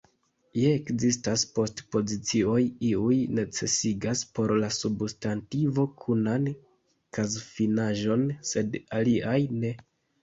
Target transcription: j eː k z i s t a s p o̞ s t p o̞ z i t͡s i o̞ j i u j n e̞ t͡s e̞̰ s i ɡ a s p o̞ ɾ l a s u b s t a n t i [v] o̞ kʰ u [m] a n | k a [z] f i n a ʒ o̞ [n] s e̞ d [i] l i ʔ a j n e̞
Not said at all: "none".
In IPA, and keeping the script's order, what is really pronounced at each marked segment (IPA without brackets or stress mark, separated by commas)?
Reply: v, n, z, n, a